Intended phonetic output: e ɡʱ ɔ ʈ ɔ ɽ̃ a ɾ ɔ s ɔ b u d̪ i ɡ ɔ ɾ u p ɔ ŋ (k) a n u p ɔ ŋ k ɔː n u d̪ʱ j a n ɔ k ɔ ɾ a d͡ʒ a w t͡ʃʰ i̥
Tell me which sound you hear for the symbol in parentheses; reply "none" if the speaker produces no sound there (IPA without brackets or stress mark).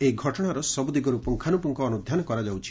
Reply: kʰ